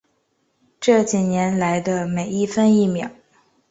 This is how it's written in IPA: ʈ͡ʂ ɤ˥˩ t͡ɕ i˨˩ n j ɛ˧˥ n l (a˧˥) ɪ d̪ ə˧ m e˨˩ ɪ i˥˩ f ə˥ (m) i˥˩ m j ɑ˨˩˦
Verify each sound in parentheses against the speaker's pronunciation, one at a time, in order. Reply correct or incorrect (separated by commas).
correct, incorrect